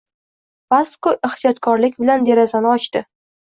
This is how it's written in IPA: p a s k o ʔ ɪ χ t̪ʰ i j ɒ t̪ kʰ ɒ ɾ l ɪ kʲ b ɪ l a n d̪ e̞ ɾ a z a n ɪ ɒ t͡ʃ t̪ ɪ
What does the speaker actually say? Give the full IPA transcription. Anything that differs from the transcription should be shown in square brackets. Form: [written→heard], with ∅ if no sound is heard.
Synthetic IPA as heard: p a s k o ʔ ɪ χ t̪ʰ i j ɒ t̪ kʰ ɒ ɾ l ɪ kʲ b ɪ l a n d̪ e̞ ɾ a z a n ɪ ɒ t͡ʃ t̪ ɪ